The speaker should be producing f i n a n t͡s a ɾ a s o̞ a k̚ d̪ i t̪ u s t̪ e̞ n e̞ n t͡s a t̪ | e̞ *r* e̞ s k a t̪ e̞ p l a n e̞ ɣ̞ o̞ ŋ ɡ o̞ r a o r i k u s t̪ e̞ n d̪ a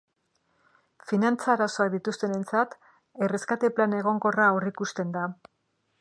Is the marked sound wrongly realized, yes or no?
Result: no